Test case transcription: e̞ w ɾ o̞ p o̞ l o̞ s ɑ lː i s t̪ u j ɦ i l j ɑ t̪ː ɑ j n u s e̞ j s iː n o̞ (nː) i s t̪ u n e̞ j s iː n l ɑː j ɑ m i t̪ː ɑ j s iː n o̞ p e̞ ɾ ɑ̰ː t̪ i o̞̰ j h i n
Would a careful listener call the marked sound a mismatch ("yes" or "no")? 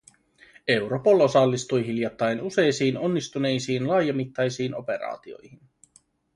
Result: no